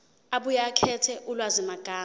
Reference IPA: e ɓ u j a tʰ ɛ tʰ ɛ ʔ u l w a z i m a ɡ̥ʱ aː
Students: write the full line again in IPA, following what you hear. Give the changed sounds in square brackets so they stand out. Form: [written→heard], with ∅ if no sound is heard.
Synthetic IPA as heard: [e→a] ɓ u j a [tʰ→kʰ] ɛ tʰ ɛ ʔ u l w a z i m a ɡ̥ʱ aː